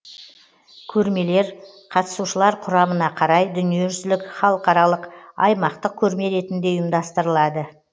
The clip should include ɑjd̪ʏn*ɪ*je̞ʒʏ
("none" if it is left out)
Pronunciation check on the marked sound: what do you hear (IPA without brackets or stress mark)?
i